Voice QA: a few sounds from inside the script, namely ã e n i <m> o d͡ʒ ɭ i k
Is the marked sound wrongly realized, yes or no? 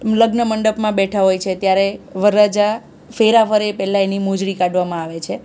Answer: no